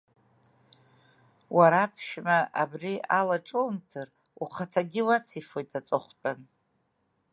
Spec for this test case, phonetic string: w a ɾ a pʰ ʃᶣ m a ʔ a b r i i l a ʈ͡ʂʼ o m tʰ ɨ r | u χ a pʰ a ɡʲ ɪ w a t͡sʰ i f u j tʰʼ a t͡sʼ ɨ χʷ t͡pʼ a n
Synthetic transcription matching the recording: w a ɾ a pʰ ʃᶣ m a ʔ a b r i a l a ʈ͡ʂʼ o m tʰ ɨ r | u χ a tʰ a ɡʲ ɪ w a t͡sʰ i f o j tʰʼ a t͡sʼ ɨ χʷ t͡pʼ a n